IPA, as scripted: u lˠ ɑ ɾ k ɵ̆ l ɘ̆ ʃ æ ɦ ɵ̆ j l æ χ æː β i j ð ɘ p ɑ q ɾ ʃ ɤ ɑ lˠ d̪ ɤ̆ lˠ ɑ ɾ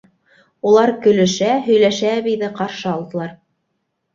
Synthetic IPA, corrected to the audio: u lˠ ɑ ɾ k ɵ̆ l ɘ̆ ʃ æ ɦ ɵ̆ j l æ ʃ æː β i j ð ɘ q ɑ ɾ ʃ ɤ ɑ lˠ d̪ ɤ̆ lˠ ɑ ɾ